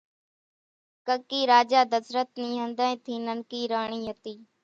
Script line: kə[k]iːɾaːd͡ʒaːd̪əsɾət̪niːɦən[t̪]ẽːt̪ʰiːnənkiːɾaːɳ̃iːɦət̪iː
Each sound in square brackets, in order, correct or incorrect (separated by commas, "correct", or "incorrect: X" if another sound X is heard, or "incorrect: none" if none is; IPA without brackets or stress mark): correct, incorrect: d̪